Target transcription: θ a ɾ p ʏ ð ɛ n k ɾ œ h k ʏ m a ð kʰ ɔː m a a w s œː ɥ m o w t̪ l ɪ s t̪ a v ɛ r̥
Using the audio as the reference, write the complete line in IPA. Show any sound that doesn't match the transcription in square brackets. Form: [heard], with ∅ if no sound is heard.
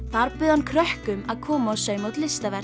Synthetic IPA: θ a ɾ p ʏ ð [a] n [kʰ] ɾ œ h k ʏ m a ð kʰ ɔː m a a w s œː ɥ m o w t̪ l ɪ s t̪ a v ɛ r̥